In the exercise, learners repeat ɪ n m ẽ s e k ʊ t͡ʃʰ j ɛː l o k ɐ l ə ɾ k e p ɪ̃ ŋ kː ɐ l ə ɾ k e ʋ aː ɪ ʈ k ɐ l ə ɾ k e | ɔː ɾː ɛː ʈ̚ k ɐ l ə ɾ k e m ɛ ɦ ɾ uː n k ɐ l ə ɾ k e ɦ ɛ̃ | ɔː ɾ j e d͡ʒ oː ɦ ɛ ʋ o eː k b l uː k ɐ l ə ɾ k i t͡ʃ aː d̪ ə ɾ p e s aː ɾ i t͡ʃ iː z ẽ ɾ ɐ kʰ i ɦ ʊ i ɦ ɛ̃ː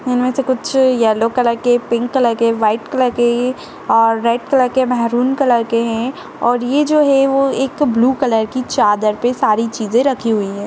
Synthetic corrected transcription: ɪ n m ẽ s e k ʊ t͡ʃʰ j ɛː l o k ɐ l ə ɾ k e p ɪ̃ ŋ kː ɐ l ə ɾ k e ʋ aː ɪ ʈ k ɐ l ə ɾ k e | ɔː ɾː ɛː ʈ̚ k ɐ l ə ɾ k e m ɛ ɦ ɾ uː n k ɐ l ə ɾ k e ɦ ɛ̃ | ɔː ɾ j e d͡ʒ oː ɦ ɛ ʋ o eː k b l uː k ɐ l ə ɾ k i t͡ʃ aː d̪ ə ɾ p e s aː ɾ i t͡ʃ iː z ẽ ɾ ɐ kʰ i ɦ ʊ i ɦ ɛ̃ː